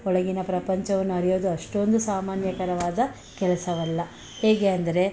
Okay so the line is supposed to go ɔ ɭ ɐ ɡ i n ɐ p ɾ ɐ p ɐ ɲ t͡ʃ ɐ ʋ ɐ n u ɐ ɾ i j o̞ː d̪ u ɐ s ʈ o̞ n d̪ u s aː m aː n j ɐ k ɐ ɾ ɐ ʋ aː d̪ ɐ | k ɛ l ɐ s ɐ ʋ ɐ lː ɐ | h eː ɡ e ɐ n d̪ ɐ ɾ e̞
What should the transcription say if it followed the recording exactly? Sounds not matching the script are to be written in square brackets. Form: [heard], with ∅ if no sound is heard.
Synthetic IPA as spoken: ɔ ɭ ɐ ɡ i n ɐ p ɾ ɐ p ɐ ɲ t͡ʃ ɐ ʋ ɐ [nː] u ɐ ɾ i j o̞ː d̪ u ɐ [ʂ] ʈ o̞ n d̪ u s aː m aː n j ɐ k ɐ ɾ ɐ ʋ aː d̪ ɐ | k ɛ l ɐ s ɐ ʋ ɐ lː ɐ | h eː ɡ e ɐ n d̪ ɐ ɾ e̞